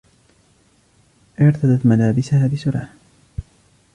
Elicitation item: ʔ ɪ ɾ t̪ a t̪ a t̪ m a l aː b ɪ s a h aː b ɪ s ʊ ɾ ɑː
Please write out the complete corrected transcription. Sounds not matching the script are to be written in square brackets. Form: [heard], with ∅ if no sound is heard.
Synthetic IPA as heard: ʔ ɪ ɾ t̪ a [d̪] a t̪ m a l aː b ɪ s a h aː b ɪ s ʊ ɾ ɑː